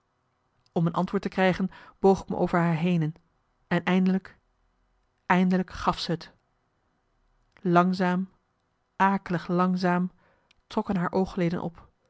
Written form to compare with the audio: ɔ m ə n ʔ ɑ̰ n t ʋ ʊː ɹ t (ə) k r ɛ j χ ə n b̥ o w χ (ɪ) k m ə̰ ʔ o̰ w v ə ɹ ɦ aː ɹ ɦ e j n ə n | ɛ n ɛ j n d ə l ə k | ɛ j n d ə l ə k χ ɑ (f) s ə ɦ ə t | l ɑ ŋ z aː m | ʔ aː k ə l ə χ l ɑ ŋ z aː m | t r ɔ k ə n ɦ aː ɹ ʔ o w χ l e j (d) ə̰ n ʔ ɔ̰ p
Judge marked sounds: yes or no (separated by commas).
yes, yes, yes, yes